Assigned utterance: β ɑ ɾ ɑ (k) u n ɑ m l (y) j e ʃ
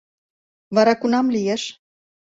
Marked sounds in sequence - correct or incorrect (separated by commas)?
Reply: correct, incorrect